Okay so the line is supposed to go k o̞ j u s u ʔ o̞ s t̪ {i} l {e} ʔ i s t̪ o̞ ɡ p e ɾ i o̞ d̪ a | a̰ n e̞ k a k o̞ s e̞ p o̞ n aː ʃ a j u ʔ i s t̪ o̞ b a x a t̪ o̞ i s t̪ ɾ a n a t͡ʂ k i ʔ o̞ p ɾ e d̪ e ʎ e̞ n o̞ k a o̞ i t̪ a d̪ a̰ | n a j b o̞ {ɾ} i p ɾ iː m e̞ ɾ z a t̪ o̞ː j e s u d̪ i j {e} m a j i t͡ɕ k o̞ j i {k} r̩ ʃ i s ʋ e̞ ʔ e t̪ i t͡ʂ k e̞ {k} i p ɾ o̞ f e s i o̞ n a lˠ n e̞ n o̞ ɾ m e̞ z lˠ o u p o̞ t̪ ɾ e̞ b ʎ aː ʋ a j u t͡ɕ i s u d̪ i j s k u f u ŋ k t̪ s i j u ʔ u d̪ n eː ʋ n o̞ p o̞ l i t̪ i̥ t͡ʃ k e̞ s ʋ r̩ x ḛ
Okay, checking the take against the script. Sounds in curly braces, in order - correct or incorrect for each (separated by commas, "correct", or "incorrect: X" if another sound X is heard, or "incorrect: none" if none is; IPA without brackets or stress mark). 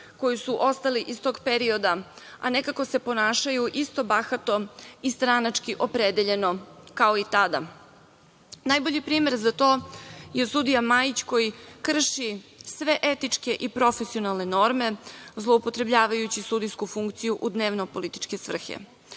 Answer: incorrect: a, incorrect: i, incorrect: ʎ, incorrect: a, correct, incorrect: ʔ